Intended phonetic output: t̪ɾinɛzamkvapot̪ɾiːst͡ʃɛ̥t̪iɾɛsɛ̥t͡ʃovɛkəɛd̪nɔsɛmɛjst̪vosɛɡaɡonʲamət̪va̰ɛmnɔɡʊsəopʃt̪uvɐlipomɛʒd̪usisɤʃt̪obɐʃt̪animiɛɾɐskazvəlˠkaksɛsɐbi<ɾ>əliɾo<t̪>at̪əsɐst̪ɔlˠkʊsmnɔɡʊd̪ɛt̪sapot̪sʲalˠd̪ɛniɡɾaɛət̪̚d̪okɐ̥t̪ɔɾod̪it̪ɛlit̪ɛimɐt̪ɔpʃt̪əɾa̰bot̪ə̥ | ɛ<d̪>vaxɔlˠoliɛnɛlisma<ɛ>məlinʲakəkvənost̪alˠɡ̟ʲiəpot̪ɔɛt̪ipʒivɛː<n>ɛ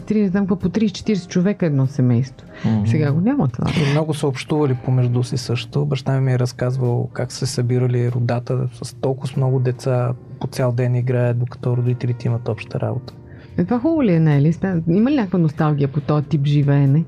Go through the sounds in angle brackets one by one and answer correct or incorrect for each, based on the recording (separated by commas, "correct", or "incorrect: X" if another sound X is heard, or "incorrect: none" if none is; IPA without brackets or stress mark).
correct, incorrect: d̪, incorrect: t̪, incorrect: i, correct